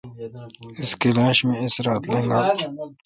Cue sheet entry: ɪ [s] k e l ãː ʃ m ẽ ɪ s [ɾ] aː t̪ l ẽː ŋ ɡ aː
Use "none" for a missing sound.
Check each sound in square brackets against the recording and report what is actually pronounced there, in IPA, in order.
s, ɾ

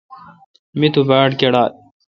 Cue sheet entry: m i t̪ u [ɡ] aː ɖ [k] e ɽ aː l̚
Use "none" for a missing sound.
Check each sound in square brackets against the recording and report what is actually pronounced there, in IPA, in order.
b, k

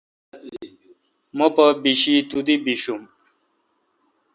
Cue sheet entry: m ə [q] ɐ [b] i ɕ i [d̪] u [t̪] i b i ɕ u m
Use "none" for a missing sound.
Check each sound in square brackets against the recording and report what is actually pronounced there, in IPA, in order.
p, b, t̪, d̪

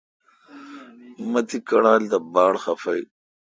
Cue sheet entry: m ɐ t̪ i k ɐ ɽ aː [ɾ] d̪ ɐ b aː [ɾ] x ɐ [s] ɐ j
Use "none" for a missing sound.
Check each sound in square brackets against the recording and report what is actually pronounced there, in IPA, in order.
l, ɽ, f

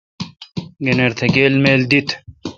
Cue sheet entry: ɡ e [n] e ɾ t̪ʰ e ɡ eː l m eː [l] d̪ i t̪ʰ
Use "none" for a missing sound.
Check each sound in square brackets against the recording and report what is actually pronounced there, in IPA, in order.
n, l

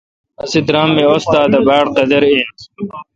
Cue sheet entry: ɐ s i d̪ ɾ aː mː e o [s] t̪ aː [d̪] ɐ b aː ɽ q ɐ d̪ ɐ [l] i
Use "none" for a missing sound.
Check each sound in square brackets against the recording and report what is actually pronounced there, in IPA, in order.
s, d̪, ɾ

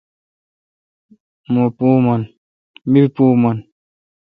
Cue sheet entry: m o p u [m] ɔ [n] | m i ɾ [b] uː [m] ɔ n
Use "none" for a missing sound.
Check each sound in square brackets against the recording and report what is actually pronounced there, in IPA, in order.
m, n, p, m

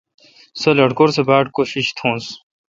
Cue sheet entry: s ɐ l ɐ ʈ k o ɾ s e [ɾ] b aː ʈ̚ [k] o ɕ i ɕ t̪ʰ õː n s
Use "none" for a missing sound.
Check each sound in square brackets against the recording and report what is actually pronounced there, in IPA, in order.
none, k

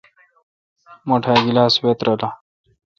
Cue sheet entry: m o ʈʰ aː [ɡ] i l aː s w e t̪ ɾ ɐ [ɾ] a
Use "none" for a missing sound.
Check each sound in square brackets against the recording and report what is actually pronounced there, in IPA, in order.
ɡ, l

